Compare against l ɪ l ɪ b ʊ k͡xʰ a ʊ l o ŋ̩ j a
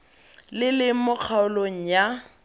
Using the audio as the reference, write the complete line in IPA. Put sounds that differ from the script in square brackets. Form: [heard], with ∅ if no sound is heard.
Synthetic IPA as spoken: l ɪ l ɪ [m] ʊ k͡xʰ a ʊ l o ŋ̩ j a